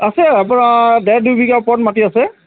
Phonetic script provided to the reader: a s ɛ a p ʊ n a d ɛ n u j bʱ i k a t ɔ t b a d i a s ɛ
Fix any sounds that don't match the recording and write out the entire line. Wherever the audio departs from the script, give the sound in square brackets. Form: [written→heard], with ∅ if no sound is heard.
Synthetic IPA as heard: a s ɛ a p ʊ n a d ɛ [n→d] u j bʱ i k a [t→p] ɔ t [b→m] a [d→t] i a s ɛ